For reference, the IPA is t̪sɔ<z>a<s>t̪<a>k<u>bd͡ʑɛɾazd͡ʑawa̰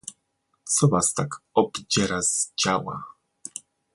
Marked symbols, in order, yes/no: no, yes, yes, no

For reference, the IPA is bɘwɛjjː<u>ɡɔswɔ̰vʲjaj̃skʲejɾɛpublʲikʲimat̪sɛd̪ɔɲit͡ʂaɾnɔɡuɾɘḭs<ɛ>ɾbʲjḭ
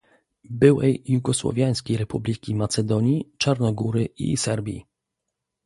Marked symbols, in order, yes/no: yes, yes

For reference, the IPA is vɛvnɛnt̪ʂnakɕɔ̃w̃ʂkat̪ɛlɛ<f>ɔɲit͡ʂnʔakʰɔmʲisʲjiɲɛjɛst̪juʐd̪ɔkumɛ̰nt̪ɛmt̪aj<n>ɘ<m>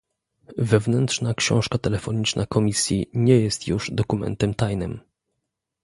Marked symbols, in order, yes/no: yes, yes, yes

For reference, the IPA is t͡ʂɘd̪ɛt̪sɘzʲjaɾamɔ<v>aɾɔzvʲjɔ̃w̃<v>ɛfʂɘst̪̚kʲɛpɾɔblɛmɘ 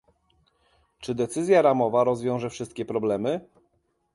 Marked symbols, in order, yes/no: yes, no

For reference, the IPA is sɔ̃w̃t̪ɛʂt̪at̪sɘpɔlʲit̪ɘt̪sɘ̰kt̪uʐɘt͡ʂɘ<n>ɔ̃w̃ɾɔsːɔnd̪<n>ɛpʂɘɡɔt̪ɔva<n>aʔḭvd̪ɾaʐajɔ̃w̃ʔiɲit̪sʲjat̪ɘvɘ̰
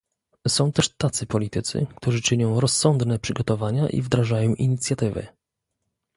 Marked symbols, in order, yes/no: no, yes, no

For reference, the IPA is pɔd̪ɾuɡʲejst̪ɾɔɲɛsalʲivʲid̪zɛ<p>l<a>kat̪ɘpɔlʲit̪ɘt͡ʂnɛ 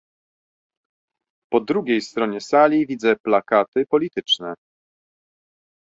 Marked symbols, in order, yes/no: yes, yes

